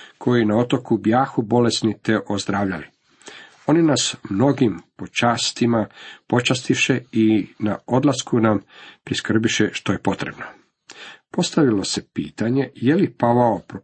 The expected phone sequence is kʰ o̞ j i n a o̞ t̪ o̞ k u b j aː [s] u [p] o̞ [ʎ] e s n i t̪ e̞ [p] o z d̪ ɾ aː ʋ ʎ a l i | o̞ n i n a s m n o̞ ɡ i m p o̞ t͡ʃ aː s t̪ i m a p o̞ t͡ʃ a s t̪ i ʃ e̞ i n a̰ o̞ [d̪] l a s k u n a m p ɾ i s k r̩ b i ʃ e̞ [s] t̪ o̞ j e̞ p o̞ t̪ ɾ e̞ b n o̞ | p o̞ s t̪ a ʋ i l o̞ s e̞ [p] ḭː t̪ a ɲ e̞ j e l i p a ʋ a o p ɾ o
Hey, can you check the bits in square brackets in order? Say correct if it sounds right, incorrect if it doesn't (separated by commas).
incorrect, incorrect, incorrect, incorrect, correct, incorrect, correct